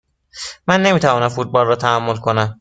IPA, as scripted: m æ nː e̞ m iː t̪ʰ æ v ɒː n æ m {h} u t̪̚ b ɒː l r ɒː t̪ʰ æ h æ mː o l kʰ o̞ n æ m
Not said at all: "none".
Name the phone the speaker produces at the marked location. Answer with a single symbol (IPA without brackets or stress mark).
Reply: f